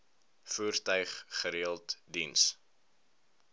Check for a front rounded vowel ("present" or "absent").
present